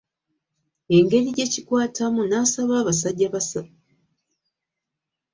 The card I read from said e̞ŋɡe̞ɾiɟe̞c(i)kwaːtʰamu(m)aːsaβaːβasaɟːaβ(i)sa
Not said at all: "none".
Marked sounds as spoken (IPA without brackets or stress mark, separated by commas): i, n, a